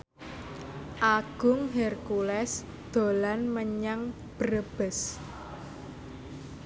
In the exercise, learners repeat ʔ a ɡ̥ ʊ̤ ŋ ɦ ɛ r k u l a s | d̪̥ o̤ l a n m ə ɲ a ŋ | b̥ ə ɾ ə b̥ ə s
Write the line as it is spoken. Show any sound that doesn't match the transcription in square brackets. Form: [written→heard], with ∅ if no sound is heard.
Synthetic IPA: ʔ a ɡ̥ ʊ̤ ŋ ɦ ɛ r k u l [a→ɛ] s | d̪̥ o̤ l a n m ə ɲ a ŋ | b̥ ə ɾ ə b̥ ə s